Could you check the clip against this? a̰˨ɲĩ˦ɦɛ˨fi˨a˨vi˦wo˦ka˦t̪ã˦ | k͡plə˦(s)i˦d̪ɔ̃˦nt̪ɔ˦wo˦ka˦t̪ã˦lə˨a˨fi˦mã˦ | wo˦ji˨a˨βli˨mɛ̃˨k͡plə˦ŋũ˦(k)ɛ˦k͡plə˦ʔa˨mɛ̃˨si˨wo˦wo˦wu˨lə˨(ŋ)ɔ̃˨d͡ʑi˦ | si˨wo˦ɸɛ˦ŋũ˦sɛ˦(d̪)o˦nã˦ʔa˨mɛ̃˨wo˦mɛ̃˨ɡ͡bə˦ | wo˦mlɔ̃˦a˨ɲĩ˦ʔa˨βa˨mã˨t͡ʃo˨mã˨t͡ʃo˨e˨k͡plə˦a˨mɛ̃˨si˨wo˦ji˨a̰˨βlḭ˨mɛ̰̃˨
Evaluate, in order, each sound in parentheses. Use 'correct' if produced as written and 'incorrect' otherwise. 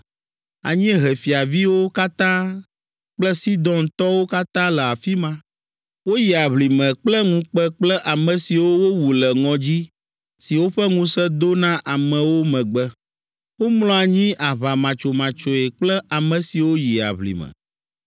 correct, incorrect, correct, correct

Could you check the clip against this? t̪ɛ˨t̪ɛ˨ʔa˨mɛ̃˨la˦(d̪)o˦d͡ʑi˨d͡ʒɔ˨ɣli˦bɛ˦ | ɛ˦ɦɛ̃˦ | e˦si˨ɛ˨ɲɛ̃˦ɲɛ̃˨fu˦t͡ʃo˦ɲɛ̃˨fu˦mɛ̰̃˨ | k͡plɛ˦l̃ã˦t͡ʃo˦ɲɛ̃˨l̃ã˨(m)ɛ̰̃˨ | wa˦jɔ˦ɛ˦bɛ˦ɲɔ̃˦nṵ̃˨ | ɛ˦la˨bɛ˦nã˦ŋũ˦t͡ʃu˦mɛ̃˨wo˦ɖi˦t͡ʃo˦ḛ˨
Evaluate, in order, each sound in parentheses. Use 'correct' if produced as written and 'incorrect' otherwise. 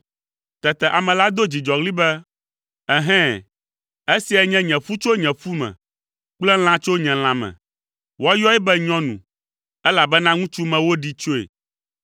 correct, correct

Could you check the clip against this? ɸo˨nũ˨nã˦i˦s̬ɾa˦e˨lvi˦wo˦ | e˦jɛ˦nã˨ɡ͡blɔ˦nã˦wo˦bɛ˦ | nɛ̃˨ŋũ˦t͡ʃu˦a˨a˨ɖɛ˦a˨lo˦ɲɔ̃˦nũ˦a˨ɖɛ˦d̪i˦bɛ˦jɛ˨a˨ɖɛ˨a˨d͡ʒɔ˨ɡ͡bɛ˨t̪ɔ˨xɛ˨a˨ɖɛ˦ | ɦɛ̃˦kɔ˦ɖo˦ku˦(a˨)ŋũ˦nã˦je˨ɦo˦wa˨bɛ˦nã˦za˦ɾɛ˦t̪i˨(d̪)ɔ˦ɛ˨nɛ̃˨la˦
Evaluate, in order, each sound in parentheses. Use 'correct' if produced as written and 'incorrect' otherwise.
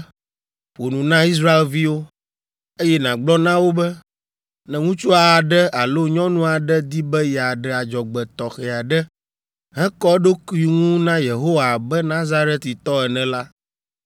incorrect, incorrect

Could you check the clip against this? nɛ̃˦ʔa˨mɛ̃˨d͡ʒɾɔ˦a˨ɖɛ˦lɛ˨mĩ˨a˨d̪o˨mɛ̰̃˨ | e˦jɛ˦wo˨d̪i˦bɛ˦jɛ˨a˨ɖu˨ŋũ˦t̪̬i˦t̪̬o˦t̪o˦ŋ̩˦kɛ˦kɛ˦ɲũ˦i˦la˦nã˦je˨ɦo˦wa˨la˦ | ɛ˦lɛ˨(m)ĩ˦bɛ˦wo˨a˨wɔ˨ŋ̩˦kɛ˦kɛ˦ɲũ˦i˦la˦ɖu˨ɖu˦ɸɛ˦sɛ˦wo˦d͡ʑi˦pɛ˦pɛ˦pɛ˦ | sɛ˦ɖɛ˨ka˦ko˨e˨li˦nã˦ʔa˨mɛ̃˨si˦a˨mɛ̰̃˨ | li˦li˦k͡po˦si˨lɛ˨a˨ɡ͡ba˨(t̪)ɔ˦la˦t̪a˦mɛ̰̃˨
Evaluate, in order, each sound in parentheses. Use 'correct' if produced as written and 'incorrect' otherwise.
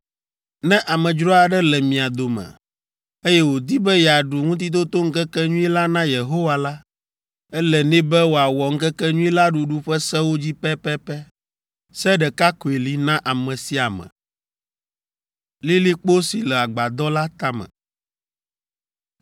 incorrect, incorrect

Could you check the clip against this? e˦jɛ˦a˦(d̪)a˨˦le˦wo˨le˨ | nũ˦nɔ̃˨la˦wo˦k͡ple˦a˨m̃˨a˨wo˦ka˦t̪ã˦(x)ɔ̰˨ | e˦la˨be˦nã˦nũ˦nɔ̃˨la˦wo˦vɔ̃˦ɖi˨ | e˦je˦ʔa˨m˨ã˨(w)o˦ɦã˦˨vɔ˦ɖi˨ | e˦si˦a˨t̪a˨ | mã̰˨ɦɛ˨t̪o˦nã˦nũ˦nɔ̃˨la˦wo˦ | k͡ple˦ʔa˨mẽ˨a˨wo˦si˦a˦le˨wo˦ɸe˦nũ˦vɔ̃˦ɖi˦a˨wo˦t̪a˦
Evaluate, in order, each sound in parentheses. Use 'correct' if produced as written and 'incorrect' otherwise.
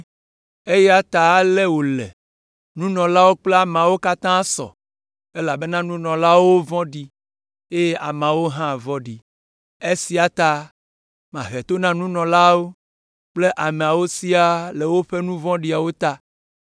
incorrect, incorrect, correct

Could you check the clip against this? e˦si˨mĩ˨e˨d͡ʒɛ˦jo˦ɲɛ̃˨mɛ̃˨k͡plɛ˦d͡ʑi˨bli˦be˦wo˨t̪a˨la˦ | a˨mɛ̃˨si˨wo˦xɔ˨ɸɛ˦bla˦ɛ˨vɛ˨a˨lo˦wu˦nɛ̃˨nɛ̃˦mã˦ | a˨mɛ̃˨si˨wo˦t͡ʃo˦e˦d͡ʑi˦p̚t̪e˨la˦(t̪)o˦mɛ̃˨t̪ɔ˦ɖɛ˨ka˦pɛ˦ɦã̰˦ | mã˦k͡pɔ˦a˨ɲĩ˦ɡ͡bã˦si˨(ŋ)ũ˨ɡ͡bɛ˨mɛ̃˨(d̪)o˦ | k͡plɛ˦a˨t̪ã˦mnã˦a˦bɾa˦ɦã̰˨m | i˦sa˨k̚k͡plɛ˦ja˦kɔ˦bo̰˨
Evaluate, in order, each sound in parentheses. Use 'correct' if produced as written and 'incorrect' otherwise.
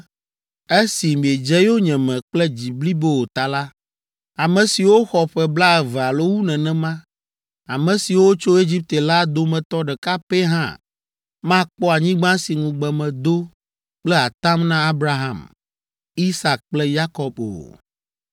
incorrect, correct, correct

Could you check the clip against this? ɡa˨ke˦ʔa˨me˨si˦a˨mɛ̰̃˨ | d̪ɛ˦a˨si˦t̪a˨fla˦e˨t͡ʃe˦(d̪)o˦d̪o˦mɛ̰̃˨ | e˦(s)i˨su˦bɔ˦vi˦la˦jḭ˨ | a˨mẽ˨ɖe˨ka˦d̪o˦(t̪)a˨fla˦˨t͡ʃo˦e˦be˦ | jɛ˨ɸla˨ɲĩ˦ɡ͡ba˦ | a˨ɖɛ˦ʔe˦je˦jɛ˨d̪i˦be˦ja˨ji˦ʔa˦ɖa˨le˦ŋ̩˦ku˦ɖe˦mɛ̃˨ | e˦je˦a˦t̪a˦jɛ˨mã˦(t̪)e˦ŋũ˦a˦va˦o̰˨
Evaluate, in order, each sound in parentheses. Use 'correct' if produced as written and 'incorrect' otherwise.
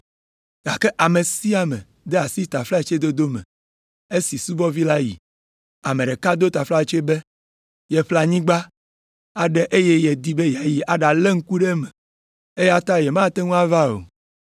correct, correct, correct, correct

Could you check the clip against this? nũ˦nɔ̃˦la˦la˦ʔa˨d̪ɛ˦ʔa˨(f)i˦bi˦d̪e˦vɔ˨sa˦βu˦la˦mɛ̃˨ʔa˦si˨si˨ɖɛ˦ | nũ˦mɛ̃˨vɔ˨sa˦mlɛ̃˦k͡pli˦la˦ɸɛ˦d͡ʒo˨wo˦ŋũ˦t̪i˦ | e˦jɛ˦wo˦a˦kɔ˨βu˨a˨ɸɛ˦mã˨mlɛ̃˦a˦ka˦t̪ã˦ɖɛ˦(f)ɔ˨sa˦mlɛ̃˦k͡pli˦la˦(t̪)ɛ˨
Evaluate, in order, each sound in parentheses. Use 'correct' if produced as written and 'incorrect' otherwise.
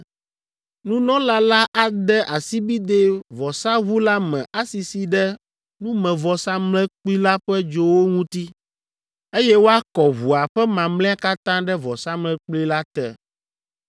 incorrect, incorrect, correct

